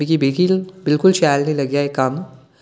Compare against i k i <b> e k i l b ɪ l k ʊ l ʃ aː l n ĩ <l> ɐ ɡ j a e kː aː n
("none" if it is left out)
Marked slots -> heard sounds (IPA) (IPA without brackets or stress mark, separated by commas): b, l